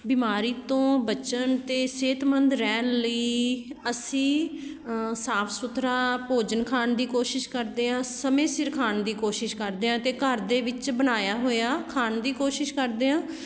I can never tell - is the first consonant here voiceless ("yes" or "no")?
no